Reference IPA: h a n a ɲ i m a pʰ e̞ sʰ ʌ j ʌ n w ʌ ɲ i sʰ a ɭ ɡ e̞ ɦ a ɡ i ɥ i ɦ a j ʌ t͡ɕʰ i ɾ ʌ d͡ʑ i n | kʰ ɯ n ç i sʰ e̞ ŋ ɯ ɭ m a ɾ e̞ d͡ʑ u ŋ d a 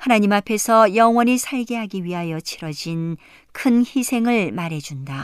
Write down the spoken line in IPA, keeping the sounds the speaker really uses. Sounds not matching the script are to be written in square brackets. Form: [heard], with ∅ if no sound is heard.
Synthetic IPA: h a n a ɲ i m a pʰ e̞ sʰ ʌ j ʌ [ŋ] w ʌ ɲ i sʰ a ɭ ɡ e̞ ɦ a ɡ i ɥ i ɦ a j ʌ t͡ɕʰ i ɾ ʌ d͡ʑ i n | kʰ ɯ n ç i sʰ e̞ ŋ ɯ ɭ m a ɾ e̞ d͡ʑ u [n] d a